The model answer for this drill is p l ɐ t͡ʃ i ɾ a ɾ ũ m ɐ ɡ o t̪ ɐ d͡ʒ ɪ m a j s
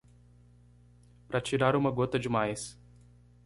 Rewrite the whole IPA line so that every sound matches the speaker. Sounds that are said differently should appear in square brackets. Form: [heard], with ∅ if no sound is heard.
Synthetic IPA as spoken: p [ɾ] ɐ t͡ʃ i ɾ a ɾ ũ m ɐ ɡ o t̪ ɐ d͡ʒ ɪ m a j s